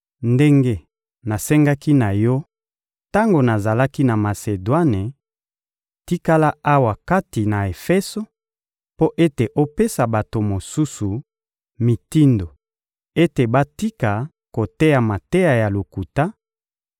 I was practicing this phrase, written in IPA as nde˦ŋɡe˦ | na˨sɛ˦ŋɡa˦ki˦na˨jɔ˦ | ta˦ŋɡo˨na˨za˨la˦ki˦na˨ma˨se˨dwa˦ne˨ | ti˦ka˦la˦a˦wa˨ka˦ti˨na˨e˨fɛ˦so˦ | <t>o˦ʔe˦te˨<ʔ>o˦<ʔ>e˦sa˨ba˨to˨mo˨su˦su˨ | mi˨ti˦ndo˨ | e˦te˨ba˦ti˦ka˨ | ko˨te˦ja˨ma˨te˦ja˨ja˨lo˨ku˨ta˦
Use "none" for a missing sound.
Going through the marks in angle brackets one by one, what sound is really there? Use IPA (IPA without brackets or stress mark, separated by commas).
p, ʔ, p